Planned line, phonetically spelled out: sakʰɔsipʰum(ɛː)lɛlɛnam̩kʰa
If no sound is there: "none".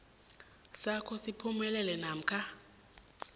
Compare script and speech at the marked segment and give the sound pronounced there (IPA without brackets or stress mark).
ɛ